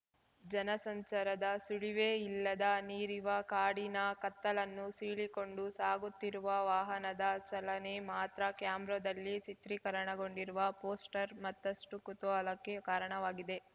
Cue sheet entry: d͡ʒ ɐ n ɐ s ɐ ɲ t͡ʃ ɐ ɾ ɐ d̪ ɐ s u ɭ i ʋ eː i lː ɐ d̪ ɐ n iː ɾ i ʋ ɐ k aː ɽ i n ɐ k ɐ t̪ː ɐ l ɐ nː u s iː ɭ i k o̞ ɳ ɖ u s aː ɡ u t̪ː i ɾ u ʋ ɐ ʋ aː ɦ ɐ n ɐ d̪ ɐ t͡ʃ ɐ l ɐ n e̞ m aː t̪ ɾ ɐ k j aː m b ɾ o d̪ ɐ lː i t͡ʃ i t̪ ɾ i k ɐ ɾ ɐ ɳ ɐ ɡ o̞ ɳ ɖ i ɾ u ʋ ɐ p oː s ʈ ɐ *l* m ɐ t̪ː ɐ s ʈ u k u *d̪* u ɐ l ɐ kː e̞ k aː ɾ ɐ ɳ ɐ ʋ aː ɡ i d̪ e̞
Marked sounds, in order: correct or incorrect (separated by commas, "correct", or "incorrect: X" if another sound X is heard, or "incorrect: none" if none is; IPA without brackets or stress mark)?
incorrect: ɾ, incorrect: t̪